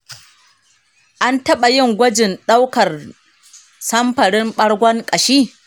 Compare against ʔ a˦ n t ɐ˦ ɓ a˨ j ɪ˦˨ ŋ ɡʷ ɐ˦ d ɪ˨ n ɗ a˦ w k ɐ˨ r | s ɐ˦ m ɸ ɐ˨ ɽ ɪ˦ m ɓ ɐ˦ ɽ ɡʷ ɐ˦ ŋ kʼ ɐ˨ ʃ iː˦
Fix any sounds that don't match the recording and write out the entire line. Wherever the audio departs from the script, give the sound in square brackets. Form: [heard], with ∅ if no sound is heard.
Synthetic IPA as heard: ʔ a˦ n t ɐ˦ ɓ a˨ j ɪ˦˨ ŋ ɡʷ ɐ˦ [d͡ʒ] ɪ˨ n ɗ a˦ w k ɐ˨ r | s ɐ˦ m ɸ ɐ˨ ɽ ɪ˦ m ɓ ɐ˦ ɽ ɡʷ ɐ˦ ŋ kʼ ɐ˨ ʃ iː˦